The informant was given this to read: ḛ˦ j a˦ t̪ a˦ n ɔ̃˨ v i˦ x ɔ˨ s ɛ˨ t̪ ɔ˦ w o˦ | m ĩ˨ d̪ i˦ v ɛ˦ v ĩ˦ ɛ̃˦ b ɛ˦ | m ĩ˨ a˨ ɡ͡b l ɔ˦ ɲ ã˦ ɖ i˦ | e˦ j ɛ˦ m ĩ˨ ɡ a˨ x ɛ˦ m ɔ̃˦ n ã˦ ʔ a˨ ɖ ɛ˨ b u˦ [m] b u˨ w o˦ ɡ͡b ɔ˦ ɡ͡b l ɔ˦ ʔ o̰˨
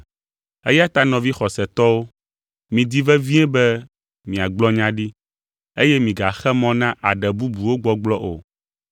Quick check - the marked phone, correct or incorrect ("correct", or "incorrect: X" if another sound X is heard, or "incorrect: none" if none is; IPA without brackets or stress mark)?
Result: incorrect: none